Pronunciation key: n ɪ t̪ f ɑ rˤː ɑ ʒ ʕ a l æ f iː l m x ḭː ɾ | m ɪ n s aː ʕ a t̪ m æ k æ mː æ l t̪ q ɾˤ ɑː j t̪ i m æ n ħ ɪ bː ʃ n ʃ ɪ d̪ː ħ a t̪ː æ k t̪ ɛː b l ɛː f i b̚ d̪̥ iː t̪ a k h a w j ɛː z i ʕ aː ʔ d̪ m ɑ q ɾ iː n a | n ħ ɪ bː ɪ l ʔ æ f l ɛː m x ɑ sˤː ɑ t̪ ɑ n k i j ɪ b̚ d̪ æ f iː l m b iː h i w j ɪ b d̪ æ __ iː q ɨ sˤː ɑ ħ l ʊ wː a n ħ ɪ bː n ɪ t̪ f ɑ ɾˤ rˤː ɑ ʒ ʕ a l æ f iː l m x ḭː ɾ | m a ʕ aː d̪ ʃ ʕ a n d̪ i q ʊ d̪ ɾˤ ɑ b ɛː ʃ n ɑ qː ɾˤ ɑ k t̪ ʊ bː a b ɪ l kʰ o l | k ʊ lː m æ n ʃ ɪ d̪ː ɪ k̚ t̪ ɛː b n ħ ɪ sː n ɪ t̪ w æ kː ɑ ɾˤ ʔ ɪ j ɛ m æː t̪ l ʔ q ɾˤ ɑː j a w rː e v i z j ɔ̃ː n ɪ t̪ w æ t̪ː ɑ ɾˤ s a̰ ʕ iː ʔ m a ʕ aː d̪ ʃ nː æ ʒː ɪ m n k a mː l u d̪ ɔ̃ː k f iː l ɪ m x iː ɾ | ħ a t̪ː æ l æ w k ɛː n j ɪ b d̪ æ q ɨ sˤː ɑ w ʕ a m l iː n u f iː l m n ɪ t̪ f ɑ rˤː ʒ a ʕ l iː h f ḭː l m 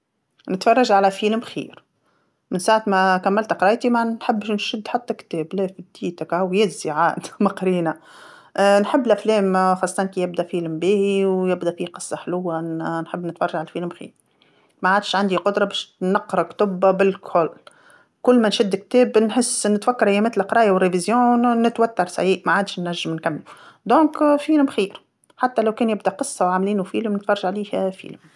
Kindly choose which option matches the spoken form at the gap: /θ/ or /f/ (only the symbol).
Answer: f